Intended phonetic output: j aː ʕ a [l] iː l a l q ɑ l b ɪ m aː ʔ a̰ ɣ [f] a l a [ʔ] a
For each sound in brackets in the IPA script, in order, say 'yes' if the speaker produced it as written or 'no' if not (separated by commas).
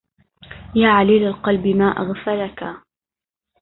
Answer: yes, yes, no